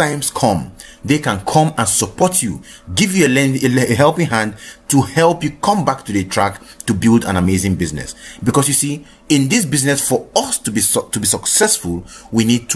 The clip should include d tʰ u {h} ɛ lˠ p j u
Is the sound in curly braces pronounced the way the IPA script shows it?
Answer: yes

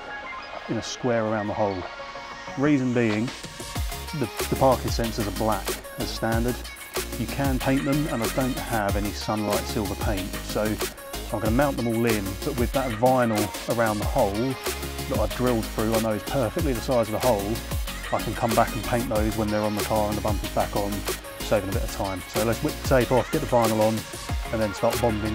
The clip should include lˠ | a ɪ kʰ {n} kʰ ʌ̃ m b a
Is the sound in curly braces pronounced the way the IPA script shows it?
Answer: yes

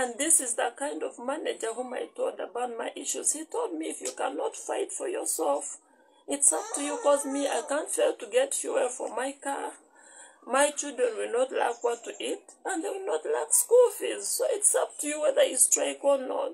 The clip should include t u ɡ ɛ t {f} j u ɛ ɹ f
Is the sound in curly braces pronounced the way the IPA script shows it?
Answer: yes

